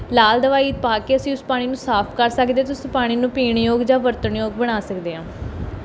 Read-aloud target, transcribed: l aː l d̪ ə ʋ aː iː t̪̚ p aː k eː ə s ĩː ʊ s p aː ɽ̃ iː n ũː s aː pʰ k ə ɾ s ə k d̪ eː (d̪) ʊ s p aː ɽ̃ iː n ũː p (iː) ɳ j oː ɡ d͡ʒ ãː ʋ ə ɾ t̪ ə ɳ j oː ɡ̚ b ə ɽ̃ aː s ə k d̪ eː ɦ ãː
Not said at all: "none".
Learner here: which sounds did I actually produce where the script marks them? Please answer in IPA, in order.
t̪, iː

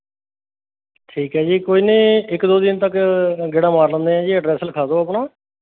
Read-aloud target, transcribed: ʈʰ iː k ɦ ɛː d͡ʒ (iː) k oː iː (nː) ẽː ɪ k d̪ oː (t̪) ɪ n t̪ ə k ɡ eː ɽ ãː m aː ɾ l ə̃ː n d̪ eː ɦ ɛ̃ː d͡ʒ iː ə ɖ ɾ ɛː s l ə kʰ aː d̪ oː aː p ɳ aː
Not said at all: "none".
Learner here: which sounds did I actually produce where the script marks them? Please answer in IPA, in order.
iː, n, d̪

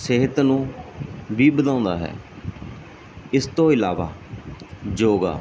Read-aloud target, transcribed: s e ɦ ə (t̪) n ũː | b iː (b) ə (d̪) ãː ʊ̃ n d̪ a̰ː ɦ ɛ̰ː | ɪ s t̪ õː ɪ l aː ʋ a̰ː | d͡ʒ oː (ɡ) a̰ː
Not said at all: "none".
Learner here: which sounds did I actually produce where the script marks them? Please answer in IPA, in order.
t̪, b, d̪, ɡ

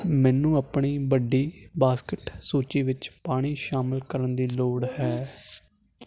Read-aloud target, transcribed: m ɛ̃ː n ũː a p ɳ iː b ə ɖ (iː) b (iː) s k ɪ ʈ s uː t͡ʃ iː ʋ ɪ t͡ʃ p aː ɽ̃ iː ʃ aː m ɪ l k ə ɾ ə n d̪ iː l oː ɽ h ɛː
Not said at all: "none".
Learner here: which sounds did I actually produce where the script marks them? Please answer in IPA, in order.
iː, aː

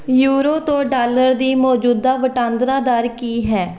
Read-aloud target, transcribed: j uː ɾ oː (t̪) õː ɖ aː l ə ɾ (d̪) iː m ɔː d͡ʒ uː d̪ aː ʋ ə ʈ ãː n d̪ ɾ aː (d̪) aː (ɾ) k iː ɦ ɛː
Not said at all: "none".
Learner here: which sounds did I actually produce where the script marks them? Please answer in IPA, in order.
t̪, d̪, d̪, ɾ

